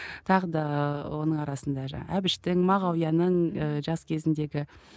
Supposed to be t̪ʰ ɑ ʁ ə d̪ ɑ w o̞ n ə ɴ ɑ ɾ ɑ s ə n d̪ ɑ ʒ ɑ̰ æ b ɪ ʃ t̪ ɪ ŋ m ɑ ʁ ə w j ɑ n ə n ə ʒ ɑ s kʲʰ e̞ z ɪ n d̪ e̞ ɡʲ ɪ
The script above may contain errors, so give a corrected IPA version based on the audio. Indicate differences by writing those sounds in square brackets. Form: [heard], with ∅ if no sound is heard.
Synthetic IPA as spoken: t̪ʰ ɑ ʁ ə d̪ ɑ w o̞ n ə ɴ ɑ ɾ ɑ s ə n d̪ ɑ ʒ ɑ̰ æ b ɪ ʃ t̪ ɪ ŋ m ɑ ʁ [ɑ] w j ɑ n ə [ɴ] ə ʒ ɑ s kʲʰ e̞ z ɪ n d̪ e̞ ɡʲ ɪ